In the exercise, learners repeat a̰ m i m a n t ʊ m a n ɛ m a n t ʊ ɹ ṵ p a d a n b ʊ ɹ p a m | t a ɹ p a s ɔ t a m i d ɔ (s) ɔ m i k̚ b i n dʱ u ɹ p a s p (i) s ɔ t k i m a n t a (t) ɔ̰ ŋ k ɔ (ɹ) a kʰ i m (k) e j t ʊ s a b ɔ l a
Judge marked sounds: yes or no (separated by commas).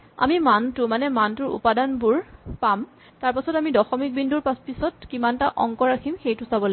no, yes, no, yes, no